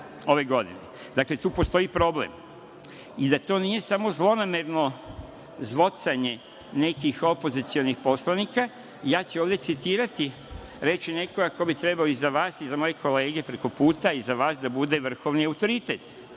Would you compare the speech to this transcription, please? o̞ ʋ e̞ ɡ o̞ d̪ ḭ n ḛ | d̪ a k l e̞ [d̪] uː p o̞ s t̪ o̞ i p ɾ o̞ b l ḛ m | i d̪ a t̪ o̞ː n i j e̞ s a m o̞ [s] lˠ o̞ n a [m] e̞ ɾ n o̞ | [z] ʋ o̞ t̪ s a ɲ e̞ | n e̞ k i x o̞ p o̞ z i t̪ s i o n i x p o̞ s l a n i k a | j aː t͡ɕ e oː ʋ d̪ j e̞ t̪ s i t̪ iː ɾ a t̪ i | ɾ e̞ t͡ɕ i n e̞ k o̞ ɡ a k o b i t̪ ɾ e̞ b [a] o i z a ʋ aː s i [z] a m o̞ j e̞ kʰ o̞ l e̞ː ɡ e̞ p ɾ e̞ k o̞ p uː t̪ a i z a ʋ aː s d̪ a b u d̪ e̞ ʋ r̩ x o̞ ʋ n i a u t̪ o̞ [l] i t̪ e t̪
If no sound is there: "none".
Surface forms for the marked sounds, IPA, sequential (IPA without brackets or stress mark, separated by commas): t̪, z, m, z, a, z, ɾ